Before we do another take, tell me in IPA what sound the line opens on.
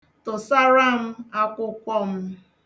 t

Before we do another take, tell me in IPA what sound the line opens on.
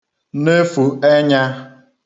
n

